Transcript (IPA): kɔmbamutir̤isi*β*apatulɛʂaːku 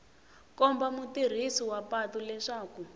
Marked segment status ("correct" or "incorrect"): incorrect